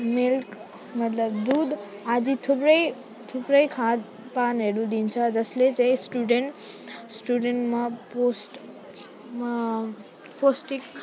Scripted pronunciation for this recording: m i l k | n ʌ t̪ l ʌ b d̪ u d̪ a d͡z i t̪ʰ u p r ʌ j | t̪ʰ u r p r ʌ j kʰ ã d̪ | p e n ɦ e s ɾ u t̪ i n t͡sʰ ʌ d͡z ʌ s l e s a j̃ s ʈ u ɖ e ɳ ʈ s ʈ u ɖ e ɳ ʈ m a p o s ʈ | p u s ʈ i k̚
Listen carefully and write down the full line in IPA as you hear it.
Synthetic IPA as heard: m i l k | m ʌ t̪ l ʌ b d̪ u d̪ a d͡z i t̪ʰ u p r ʌ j | t̪ʰ u p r ʌ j kʰ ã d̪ | p a n ɦ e ɾ u d̪ i n t͡sʰ ʌ d͡z ʌ s l e t͡s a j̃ s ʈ u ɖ e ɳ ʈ s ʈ u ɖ e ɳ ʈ m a p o s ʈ | p o s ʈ i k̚